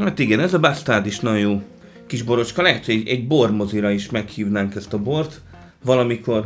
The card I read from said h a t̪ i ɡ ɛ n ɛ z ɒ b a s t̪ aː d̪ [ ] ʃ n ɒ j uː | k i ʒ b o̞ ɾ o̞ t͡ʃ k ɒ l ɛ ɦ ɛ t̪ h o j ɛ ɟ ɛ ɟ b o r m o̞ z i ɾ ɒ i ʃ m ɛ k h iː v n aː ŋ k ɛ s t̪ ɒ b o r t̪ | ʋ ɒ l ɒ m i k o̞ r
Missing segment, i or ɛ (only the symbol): i